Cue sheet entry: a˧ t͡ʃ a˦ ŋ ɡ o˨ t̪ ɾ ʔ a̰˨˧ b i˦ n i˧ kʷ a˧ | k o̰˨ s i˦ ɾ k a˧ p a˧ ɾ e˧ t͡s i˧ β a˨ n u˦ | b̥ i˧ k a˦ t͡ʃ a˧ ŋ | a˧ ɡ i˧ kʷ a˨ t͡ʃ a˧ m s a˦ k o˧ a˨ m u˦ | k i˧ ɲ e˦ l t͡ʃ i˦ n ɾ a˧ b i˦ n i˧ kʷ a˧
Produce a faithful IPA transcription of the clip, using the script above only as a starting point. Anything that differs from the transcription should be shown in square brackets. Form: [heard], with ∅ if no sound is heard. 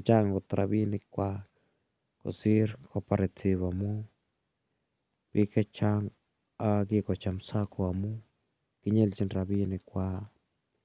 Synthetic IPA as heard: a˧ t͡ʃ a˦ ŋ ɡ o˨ t̪ ɾ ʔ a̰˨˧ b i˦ n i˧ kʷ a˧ | k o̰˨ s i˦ ɾ k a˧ p a˧ ɾ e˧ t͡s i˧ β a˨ [m] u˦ | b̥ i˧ k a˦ t͡ʃ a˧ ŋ | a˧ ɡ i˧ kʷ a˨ t͡ʃ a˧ m s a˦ k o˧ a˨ m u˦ | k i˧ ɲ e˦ l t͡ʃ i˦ n ɾ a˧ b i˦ n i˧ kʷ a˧